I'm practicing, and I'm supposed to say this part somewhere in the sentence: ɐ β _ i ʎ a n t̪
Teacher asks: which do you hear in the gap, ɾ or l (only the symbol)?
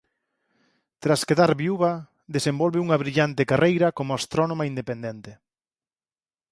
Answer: ɾ